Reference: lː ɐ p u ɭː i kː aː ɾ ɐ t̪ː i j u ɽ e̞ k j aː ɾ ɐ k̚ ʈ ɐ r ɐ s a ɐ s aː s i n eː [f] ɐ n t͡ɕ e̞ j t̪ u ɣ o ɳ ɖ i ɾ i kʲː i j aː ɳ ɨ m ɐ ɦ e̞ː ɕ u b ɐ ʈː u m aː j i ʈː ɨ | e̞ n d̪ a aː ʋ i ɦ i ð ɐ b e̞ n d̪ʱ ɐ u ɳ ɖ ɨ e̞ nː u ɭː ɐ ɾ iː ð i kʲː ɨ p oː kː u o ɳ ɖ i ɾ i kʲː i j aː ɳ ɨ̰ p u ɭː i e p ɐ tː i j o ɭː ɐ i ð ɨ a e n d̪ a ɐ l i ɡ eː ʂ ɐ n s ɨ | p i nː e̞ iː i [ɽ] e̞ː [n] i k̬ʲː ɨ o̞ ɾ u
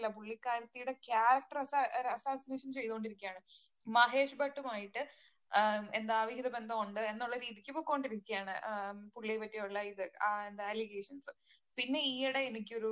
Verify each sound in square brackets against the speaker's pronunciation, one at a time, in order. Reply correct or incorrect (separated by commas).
incorrect, correct, correct